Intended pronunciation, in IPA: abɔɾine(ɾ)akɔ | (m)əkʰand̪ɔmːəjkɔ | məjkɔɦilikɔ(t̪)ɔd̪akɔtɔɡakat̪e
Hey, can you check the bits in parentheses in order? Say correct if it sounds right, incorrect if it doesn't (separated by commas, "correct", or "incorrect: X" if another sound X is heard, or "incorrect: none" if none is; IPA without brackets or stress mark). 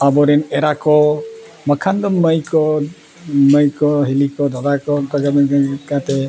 correct, correct, incorrect: d̪